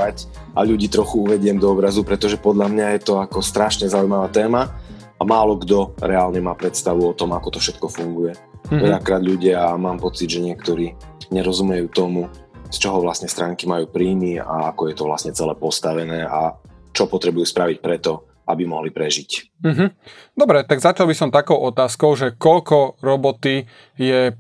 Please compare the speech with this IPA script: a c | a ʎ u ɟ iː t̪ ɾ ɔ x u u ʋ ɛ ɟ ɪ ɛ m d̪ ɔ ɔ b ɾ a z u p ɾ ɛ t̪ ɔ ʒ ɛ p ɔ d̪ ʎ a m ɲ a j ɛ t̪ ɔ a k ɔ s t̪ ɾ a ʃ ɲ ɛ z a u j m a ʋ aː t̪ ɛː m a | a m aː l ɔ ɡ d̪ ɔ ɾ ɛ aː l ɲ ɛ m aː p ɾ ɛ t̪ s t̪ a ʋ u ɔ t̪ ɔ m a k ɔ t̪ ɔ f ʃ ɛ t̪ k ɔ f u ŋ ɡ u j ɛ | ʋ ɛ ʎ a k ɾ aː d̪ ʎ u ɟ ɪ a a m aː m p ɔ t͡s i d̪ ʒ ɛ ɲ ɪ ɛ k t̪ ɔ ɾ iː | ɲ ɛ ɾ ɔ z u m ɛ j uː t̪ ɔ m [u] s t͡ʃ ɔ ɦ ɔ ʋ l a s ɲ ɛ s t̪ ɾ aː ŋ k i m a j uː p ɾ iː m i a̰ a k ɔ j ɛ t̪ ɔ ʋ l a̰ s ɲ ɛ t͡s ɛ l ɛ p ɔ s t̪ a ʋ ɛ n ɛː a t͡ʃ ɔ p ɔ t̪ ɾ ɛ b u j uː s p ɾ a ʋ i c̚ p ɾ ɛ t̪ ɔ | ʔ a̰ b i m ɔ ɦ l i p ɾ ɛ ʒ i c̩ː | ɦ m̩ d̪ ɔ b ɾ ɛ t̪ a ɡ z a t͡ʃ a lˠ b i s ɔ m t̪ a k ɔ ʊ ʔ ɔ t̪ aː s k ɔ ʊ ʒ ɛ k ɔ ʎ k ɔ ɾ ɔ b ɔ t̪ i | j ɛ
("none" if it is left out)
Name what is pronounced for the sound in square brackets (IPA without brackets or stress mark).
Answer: u